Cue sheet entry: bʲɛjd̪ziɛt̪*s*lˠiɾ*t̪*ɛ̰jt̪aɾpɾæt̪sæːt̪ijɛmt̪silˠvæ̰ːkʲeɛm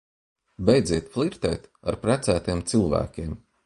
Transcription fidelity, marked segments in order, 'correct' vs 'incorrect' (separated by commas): incorrect, correct